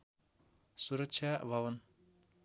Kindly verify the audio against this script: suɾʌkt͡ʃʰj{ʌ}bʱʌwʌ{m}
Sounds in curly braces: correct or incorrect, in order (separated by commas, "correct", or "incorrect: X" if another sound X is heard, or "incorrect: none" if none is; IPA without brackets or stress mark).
incorrect: a, incorrect: n